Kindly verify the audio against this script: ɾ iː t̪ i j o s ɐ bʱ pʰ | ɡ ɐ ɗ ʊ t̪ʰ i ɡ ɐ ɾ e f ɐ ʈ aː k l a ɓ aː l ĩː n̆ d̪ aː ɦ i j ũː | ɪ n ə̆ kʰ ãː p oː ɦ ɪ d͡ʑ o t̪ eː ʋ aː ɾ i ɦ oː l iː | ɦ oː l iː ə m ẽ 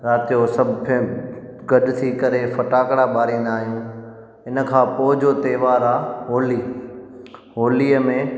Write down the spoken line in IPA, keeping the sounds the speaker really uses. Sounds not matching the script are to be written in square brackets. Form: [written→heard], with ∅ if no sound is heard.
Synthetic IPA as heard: ɾ [iː→aː] t̪ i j o s ɐ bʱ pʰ | ɡ ɐ ɗ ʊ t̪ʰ i [ɡ→k] ɐ ɾ e f ɐ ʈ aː k [l→ɽ] a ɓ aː [l→ɾ] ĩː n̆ d̪ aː ɦ i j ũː | ɪ n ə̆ kʰ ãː p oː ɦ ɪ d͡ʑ o t̪ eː ʋ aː ɾ [i→a] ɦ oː l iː | ɦ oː l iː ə m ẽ

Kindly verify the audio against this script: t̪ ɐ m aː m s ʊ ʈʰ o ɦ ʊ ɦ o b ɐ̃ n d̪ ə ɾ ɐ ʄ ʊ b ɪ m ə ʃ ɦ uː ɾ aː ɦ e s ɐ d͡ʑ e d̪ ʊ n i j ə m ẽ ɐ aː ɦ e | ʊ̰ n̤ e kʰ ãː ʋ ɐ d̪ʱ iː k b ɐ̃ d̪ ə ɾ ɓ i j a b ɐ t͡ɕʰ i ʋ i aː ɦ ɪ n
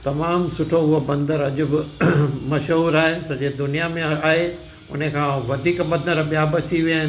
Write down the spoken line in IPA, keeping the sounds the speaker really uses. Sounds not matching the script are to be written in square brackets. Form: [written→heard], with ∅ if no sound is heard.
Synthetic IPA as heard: t̪ ɐ m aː m s ʊ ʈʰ o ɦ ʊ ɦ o b ɐ̃ n d̪ ə ɾ ɐ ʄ ʊ b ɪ m [ə→ɐ] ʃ ɦ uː ɾ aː ɦ e s ɐ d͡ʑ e d̪ ʊ n i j [ə→a] m ẽ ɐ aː ɦ e | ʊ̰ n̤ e kʰ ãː ʋ ɐ d̪ʱ iː k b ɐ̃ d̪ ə ɾ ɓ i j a b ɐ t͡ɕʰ i ʋ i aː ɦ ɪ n

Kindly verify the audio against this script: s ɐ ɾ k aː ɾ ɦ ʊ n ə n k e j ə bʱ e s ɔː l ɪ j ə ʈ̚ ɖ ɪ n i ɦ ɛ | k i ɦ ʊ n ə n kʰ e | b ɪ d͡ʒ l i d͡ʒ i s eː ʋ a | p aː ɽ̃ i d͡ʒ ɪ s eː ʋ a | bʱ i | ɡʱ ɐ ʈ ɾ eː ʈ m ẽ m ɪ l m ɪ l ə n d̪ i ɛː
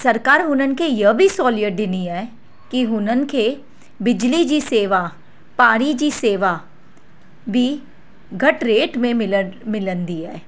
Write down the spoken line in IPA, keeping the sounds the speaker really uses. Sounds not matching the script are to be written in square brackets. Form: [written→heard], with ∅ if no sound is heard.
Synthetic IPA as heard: s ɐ ɾ k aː ɾ ɦ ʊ n ə n k e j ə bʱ [e→i] s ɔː l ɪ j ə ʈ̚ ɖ ɪ n i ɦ ɛ | k i ɦ ʊ n ə n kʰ e | b ɪ d͡ʒ l i d͡ʒ i s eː ʋ a | p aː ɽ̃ i d͡ʒ [ɪ→i] s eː ʋ a | bʱ i | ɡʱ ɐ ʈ ɾ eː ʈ m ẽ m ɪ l m ɪ l ə n d̪ i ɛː

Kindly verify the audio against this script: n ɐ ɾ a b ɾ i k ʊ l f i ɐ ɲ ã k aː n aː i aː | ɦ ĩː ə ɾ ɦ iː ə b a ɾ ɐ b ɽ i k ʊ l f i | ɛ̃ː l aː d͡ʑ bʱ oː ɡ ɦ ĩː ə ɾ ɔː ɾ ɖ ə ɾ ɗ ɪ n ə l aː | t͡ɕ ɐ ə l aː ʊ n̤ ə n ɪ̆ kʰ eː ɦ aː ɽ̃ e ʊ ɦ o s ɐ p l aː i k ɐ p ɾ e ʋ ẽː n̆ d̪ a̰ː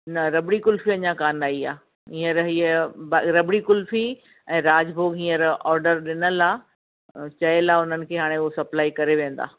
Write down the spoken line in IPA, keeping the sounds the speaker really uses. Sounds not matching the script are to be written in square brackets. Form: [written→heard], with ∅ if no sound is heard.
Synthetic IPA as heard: n ɐ ɾ [a→ɐ] b [ɾ→ɽ] i k ʊ l f i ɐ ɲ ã k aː n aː i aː | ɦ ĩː ə ɾ ɦ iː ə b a ɾ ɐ b ɽ i k ʊ l f i | ɛ̃ː [l→ɾ] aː d͡ʑ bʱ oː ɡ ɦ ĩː ə ɾ ɔː ɾ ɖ ə ɾ ɗ ɪ n ə l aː | t͡ɕ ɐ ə l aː ʊ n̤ ə n ɪ̆ kʰ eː ɦ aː ɽ̃ e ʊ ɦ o s ɐ p l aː i k ɐ [p→∅] ɾ e ʋ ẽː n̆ d̪ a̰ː

